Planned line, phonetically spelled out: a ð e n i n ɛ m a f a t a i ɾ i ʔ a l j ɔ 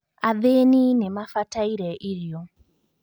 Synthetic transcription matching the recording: a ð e n i n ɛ m a f a t a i ɾ ɛ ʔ i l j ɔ